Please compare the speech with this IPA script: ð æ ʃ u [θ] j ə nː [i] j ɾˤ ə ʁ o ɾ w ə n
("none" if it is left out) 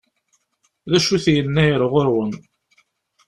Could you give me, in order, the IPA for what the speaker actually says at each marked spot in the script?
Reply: θ, æ

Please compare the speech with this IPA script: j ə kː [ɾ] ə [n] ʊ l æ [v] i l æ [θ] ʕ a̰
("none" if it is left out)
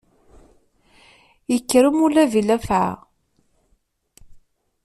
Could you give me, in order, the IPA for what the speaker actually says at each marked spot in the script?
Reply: ɾ, m, v, f

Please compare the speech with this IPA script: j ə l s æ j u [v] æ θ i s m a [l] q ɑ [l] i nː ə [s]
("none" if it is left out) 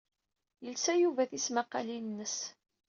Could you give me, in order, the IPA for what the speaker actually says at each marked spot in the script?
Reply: v, none, l, s

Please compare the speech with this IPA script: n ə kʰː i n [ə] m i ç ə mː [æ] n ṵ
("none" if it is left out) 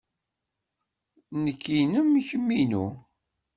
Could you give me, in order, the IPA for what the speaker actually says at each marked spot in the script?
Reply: ə, i

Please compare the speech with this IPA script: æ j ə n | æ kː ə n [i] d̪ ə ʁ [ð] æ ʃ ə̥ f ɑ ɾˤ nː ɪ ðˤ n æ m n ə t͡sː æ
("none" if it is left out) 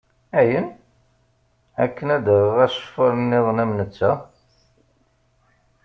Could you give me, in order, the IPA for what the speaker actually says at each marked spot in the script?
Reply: æ, ʁ

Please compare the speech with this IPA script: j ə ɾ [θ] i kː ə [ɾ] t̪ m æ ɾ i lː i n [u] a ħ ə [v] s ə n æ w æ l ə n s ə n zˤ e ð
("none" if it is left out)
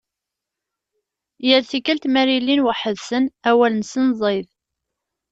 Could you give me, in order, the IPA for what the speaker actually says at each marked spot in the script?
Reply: θ, l, w, ð

